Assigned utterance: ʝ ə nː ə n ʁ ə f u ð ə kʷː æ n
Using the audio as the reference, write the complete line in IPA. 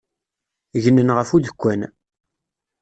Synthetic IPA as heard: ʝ ə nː ə n ʁ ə f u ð ə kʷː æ n